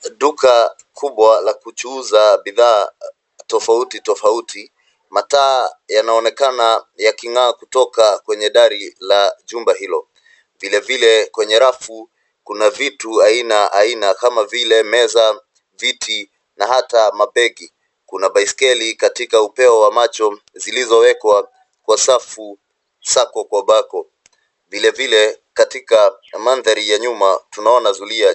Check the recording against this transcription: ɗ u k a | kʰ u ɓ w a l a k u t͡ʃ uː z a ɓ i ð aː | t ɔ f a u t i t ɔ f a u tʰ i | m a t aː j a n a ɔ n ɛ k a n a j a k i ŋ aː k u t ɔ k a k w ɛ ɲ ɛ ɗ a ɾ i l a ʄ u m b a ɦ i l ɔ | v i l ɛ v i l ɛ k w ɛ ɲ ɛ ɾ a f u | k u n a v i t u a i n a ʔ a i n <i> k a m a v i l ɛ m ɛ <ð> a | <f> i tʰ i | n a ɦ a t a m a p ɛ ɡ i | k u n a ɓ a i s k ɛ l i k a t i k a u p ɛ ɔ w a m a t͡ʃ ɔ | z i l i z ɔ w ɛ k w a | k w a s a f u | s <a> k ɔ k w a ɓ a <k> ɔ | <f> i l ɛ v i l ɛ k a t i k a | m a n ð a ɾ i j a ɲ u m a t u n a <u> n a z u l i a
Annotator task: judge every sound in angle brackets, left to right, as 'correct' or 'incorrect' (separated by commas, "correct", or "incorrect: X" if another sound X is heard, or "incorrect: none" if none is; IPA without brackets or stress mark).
incorrect: a, incorrect: z, incorrect: v, correct, correct, incorrect: v, incorrect: ɔ